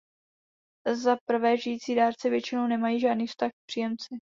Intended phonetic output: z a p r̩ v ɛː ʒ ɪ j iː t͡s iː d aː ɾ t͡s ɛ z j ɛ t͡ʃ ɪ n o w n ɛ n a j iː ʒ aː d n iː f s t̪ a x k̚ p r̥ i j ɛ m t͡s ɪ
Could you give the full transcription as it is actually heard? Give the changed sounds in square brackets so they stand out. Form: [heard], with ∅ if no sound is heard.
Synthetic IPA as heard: z a p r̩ v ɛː ʒ ɪ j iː t͡s iː d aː ɾ t͡s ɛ [v] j ɛ t͡ʃ ɪ n o w n ɛ [m] a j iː ʒ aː d n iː f s t̪ a x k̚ p r̥ i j ɛ m t͡s ɪ